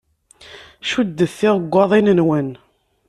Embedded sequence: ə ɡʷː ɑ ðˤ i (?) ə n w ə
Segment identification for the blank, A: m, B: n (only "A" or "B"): B